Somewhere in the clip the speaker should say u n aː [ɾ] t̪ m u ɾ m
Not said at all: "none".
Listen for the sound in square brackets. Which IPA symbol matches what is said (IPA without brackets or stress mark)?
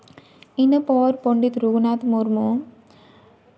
none